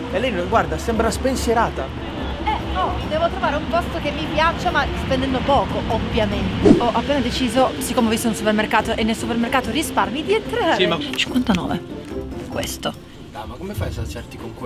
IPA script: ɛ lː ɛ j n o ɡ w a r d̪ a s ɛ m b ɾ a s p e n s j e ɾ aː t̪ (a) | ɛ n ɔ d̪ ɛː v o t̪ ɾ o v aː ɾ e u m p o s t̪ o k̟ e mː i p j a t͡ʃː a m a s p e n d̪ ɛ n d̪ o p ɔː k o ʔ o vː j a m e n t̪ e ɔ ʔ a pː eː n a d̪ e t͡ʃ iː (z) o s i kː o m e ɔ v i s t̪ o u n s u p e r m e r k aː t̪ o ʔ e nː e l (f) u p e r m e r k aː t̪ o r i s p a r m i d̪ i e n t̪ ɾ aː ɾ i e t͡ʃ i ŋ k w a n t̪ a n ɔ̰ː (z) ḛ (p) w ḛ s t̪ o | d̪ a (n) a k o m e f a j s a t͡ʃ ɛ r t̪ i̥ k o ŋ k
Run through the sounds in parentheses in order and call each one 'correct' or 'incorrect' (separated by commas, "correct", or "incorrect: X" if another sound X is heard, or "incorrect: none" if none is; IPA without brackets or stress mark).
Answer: correct, correct, incorrect: s, incorrect: v, incorrect: k, incorrect: m